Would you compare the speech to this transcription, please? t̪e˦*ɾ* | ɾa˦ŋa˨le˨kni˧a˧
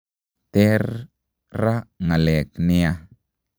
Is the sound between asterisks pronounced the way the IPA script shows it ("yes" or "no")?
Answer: yes